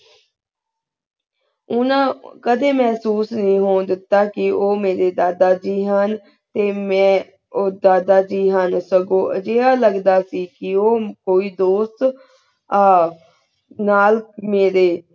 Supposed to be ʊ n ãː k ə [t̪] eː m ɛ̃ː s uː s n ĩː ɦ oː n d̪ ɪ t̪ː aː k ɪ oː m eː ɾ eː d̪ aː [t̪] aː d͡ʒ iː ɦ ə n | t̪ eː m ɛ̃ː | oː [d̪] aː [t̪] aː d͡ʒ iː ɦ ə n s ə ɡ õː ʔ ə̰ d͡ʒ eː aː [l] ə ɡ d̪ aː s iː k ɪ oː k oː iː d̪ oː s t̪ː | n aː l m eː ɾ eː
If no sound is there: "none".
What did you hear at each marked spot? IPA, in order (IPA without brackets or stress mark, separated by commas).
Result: d̪, d̪, d̪, d̪, l